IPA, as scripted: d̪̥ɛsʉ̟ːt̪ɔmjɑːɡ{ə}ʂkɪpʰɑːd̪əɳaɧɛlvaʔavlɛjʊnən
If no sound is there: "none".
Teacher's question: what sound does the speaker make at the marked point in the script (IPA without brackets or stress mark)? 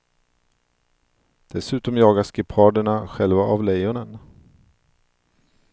a